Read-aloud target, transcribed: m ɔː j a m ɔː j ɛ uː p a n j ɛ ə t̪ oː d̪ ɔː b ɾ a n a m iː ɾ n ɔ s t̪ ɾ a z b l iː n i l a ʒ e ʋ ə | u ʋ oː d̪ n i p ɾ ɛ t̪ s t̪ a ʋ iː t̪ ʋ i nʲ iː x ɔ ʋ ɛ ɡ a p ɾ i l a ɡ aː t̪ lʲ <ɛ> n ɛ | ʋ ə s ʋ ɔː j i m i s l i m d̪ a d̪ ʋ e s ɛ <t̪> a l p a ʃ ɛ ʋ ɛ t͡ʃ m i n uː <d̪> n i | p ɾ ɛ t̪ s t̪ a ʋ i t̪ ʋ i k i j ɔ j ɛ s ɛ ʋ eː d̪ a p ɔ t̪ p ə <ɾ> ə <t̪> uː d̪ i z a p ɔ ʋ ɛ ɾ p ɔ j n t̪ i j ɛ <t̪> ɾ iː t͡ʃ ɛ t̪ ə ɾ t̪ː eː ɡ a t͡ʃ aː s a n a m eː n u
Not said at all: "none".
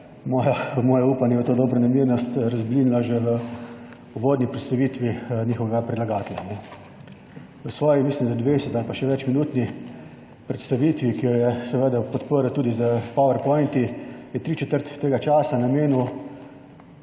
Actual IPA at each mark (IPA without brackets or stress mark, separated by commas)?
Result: a, t̪, t̪, ɾ, t̪, t̪